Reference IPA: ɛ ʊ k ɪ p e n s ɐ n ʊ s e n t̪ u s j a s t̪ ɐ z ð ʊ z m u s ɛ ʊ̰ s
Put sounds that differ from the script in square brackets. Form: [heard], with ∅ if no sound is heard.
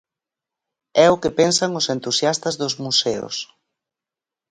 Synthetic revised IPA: ɛ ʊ k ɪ p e n s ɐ [ŋ] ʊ s e n t̪ u s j a s t̪ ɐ z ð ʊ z m u s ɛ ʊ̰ s